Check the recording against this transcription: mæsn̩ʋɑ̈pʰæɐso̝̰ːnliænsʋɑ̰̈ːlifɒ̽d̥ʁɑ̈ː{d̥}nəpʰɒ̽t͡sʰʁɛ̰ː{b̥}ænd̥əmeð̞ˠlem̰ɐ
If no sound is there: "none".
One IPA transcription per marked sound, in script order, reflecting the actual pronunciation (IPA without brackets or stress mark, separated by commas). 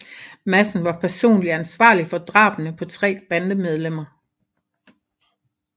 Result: b̥, b̥